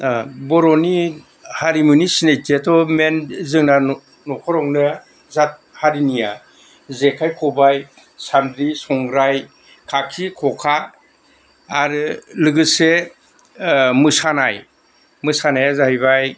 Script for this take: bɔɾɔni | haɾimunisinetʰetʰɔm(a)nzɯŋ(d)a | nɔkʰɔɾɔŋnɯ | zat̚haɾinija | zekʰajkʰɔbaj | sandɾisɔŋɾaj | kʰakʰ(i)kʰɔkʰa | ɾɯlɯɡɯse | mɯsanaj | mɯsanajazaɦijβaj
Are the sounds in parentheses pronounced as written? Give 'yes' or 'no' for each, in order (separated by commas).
no, no, yes